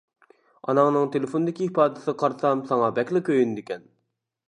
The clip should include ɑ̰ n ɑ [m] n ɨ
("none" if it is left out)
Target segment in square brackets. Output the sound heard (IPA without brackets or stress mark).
ŋ